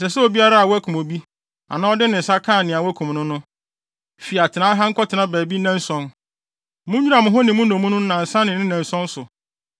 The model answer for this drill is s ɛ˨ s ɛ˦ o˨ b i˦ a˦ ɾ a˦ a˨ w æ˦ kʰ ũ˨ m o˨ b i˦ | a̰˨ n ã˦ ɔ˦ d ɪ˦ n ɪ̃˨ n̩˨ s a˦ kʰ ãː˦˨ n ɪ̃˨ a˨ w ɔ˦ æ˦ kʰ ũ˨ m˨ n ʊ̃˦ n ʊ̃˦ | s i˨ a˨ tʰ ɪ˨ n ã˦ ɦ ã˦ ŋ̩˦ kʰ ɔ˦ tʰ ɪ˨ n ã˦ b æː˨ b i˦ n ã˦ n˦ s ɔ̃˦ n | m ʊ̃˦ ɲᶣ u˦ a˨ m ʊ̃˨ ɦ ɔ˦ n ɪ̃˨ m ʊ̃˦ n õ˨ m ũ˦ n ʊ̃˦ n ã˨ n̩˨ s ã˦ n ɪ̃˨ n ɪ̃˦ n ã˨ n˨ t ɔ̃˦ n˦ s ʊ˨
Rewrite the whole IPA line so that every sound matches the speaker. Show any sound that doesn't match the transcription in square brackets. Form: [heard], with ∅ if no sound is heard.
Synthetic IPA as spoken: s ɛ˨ s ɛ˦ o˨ b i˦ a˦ ɾ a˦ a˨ w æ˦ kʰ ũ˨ m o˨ b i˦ | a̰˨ n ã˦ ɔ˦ d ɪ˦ n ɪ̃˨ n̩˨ s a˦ kʰ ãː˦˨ n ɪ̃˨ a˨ w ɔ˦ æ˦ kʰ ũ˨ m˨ n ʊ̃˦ n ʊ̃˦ | [f] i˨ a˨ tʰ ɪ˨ n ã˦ ɦ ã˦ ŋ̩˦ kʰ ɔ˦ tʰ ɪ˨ n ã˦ b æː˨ b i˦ n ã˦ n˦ s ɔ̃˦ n | m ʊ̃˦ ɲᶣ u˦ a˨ m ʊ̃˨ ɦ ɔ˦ n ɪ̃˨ m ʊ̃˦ n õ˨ m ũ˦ n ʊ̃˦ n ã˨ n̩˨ s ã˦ n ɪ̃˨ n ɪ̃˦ n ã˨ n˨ [s] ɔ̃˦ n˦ s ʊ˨